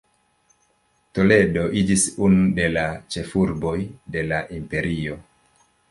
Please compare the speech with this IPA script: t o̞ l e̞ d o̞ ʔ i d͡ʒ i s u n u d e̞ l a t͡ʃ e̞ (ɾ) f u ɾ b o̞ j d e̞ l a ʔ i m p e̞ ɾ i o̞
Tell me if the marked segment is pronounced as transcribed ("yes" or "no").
no